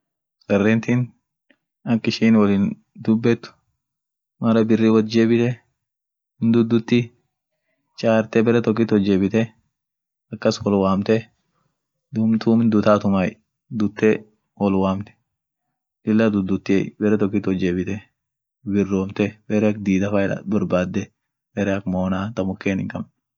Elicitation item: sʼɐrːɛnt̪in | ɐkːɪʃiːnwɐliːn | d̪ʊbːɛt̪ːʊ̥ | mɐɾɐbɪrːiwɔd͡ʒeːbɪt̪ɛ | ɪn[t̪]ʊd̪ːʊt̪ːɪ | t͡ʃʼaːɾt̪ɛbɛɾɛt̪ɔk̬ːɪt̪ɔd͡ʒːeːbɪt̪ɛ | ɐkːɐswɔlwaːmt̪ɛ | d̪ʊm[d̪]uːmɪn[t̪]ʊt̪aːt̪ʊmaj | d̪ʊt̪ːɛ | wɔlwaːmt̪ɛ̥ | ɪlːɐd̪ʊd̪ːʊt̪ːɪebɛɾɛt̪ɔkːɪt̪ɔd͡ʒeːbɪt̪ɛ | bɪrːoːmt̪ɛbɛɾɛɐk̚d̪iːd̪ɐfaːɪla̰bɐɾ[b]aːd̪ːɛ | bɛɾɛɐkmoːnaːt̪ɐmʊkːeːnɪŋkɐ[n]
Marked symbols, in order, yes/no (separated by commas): no, no, no, yes, no